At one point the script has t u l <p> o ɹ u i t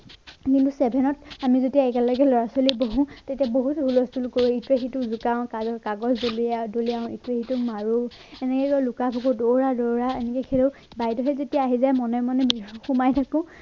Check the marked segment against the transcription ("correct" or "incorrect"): incorrect